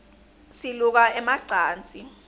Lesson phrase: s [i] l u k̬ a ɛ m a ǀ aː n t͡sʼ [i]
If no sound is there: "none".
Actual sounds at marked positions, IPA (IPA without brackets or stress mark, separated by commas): i, i